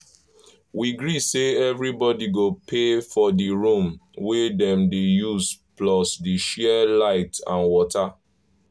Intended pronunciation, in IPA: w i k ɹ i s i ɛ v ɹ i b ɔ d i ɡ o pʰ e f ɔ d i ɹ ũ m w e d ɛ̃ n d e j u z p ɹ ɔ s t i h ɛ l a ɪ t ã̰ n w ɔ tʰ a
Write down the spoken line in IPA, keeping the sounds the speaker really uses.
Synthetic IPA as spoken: w i ɡ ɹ i s e ɛ v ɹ i b ɔ d i ɡ o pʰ e f ɔ d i ɹ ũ m w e d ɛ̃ m d e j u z p l ɔ s d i ʃ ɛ l a ɪ t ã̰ n w ɔ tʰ a